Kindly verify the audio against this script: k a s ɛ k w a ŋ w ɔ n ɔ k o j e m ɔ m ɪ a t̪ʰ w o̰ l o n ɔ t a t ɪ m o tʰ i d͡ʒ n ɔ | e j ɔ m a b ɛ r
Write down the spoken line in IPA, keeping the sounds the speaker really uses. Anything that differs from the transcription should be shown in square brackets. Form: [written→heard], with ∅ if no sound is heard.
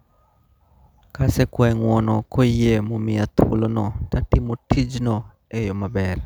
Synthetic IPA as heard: k a s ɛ k w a ŋ w ɔ n ɔ k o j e m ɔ m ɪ a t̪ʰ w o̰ l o n ɔ t a t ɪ m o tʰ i d͡ʒ n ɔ | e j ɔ m a b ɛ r